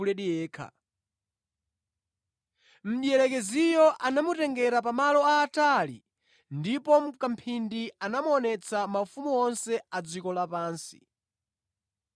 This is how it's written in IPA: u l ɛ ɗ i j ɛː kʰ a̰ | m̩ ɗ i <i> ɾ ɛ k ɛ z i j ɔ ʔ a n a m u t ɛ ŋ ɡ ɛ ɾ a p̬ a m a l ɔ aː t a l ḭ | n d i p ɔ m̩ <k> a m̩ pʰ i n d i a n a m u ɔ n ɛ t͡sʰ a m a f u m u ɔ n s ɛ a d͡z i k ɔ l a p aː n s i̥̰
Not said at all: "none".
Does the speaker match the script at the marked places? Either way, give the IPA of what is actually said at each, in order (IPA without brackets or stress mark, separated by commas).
ɛ, k